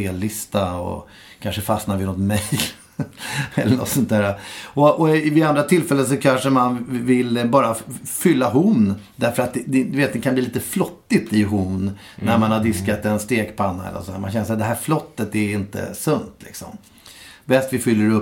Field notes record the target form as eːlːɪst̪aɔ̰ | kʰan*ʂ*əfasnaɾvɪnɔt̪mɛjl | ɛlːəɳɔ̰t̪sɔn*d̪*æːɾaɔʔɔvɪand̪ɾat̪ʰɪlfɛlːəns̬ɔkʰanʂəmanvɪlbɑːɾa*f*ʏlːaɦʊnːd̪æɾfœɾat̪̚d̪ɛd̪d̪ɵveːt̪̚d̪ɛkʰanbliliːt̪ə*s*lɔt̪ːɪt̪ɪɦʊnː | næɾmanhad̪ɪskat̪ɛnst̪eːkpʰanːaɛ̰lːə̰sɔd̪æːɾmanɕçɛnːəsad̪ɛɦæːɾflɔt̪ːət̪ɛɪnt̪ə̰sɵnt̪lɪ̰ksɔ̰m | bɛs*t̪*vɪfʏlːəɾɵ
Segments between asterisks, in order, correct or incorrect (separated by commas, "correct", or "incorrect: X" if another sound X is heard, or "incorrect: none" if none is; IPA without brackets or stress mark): correct, incorrect: t̪, correct, incorrect: f, correct